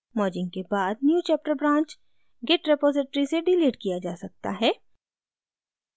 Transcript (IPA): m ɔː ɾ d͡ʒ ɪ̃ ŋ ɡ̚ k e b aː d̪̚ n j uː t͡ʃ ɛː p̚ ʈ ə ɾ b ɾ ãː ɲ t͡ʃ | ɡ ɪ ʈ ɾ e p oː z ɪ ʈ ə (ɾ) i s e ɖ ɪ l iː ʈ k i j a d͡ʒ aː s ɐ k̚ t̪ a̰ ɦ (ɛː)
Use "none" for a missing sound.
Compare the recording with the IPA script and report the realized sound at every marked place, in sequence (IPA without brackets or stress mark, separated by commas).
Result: ɾ, ɛː